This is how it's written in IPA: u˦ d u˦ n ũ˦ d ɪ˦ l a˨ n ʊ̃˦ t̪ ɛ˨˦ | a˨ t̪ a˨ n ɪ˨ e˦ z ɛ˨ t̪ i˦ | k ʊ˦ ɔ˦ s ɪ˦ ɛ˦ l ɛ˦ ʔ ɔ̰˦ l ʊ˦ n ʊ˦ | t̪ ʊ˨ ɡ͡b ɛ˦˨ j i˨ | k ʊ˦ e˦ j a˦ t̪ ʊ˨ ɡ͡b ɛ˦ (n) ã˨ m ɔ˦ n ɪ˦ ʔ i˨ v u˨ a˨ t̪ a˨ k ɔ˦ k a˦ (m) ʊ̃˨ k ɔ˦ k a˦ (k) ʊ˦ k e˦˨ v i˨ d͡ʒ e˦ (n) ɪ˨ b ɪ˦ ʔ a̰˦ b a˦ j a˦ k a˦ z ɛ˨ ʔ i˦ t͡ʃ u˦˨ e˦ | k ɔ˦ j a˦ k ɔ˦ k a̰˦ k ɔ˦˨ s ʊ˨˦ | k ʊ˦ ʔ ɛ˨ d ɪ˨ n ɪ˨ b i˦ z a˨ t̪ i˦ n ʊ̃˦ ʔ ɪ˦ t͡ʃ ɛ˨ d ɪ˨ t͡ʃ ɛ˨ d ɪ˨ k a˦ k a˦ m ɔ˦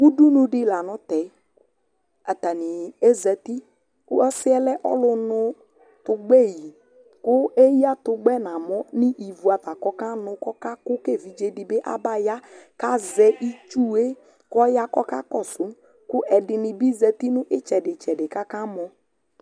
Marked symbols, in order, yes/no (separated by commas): yes, no, yes, no